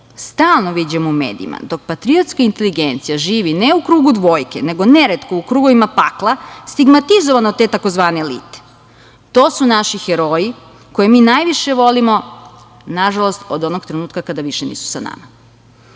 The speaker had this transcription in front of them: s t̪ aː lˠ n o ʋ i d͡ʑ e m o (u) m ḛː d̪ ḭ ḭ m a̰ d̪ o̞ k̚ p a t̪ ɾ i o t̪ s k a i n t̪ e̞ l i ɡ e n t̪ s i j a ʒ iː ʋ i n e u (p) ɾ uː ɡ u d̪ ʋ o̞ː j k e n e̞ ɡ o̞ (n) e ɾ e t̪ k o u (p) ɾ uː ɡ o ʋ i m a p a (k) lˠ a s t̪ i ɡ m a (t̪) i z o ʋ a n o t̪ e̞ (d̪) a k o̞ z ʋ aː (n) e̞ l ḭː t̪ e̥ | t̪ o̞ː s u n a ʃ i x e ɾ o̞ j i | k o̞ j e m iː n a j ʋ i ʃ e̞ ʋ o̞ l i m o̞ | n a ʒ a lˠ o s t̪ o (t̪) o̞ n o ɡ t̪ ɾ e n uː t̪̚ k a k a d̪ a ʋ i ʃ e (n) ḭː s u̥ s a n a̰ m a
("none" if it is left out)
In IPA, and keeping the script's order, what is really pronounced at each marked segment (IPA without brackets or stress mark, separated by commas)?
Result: u, k, n, k, k, t̪, t̪, n, d̪, n